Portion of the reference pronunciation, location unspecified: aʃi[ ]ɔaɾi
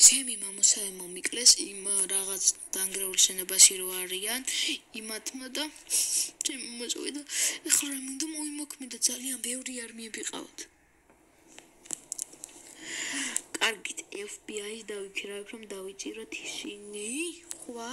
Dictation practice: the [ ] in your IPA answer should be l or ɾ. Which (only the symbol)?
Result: ɾ